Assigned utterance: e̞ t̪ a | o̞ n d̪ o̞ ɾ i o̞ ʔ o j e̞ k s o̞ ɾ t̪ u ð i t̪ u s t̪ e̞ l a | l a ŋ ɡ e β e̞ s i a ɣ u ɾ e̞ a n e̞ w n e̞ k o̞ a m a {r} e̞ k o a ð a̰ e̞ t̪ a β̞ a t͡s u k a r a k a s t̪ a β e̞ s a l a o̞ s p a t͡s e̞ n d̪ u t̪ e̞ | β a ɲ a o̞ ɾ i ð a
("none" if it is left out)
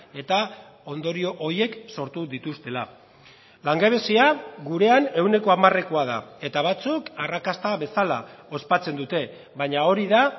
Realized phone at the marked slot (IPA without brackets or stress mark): r